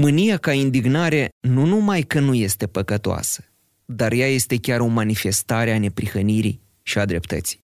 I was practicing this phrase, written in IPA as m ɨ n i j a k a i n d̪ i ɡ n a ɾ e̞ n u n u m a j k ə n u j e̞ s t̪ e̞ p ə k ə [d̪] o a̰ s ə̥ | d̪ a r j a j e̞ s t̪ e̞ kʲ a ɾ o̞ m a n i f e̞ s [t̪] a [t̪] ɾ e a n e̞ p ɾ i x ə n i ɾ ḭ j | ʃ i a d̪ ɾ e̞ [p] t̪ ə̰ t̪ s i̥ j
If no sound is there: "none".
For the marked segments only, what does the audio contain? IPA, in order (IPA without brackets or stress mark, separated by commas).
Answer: t̪, t̪, none, p